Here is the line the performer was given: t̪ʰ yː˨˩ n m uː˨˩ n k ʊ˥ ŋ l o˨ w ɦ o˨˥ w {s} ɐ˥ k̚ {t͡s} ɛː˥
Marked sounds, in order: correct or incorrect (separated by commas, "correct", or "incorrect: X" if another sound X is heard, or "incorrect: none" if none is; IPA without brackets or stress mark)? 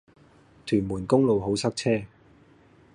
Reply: correct, incorrect: t͡sʰ